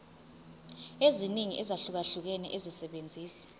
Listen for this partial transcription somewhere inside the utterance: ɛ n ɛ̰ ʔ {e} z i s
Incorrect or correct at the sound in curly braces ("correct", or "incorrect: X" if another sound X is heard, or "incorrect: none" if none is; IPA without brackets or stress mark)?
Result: correct